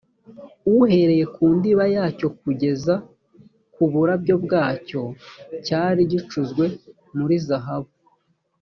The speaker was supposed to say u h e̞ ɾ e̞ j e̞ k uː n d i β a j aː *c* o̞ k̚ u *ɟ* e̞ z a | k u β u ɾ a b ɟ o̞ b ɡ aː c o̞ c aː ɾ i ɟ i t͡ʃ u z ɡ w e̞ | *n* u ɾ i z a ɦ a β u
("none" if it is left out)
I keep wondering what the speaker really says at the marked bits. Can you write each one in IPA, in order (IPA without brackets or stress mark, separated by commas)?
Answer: c, ɟ, m